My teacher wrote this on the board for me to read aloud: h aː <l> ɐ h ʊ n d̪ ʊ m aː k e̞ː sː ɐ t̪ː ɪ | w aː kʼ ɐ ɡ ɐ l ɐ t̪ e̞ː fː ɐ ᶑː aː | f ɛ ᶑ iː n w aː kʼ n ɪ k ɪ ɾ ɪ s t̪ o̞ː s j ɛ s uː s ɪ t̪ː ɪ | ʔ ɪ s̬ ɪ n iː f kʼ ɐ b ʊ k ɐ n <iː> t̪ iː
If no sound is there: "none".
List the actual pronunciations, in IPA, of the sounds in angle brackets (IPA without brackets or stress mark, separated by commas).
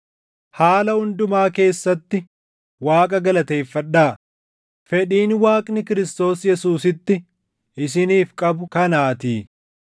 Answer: l, aː